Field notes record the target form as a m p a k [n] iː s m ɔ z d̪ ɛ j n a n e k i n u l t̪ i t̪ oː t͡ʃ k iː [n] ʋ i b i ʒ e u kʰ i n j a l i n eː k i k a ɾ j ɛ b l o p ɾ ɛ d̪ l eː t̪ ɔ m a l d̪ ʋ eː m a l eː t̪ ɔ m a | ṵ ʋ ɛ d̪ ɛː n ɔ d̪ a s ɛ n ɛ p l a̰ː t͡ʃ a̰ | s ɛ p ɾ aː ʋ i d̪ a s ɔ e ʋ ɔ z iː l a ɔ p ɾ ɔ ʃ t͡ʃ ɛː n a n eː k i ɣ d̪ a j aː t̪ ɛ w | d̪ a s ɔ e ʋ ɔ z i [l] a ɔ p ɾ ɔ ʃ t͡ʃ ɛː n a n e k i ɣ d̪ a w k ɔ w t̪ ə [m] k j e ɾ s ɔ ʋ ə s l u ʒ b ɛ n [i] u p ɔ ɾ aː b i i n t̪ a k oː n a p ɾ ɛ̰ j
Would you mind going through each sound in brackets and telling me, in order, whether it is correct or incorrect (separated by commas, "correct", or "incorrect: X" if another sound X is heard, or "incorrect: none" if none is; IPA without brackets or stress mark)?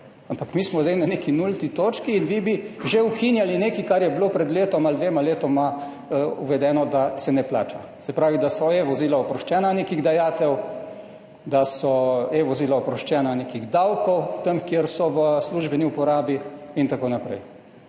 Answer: incorrect: m, correct, correct, correct, correct